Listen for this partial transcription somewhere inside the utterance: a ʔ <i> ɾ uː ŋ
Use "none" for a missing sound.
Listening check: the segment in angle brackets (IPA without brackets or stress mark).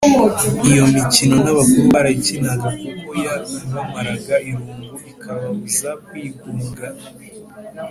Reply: i